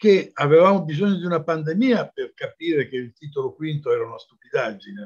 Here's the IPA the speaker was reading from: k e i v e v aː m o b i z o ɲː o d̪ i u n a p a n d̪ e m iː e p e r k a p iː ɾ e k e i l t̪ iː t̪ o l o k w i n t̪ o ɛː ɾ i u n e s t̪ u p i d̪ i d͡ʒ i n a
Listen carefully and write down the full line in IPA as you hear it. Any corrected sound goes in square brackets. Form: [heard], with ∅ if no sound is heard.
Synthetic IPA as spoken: k e [a] v e v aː m o b i z o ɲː o d̪ i u n a p a n d̪ e m iː [a] p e r k a p iː ɾ e k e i l t̪ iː t̪ o l o k w i n t̪ o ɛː ɾ [a] u n [a] s t̪ u p i d̪ [a] d͡ʒ i n [e]